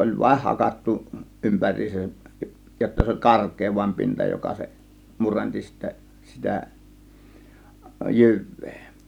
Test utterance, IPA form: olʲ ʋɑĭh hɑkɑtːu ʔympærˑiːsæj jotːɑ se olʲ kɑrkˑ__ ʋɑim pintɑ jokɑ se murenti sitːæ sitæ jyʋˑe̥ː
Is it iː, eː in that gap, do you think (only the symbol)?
eː